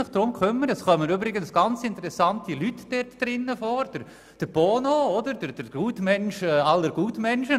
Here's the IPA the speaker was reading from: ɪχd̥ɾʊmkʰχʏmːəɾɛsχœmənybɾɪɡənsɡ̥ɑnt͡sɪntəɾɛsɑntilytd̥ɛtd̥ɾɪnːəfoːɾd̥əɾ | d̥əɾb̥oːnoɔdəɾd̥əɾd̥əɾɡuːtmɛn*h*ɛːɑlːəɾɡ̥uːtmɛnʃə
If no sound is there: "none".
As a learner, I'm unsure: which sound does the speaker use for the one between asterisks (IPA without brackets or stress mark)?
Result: ʃ